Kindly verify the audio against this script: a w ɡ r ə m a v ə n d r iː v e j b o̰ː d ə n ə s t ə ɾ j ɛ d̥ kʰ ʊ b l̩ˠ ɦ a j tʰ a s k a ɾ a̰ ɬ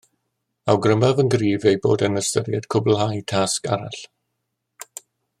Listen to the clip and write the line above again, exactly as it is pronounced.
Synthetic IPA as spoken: a w ɡ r ə m a v ə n ɡ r iː v e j b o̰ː d ə n ə s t ə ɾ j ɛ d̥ kʰ ʊ b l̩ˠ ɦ a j tʰ a s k a ɾ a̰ ɬ